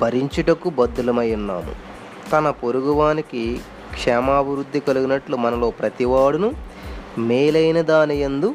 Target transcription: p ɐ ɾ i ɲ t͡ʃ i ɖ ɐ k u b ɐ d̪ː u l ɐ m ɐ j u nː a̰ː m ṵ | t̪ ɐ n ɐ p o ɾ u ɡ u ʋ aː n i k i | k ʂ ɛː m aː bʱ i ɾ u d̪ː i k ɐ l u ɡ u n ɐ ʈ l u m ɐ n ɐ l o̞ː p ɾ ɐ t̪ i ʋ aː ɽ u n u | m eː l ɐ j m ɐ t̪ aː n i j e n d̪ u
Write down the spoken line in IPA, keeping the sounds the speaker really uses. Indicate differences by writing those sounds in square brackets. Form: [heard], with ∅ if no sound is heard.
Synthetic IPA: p ɐ ɾ i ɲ t͡ʃ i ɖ ɐ k u b ɐ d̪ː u l ɐ m ɐ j u nː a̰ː m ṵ | t̪ ɐ n ɐ p o ɾ u ɡ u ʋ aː n i k i | k ʂ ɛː m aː bʱ i ɾ u d̪ː i k ɐ l u ɡ u n ɐ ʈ l u m ɐ n ɐ l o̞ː p ɾ ɐ t̪ i ʋ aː ɽ u n u | m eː l ɐ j [n] ɐ [d̪] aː n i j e n d̪ u